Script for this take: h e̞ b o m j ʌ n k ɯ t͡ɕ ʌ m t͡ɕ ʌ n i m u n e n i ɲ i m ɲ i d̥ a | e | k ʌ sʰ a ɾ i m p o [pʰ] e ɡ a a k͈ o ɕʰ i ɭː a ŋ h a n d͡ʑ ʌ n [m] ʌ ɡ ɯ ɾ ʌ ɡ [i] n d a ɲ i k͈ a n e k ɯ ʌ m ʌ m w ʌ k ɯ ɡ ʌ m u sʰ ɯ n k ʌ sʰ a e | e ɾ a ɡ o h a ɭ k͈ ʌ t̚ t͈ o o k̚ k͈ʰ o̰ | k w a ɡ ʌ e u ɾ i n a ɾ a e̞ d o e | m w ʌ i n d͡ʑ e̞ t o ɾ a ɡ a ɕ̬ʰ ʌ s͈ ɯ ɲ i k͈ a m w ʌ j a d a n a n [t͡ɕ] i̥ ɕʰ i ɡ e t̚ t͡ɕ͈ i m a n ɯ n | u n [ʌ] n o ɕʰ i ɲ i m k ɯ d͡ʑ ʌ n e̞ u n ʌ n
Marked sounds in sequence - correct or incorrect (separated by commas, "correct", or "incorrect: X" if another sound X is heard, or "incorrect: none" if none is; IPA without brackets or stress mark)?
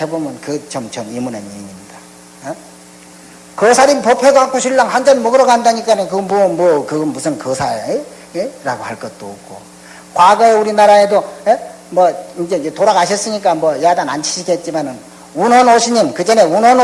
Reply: correct, correct, incorrect: a, incorrect: t͡ɕʰ, correct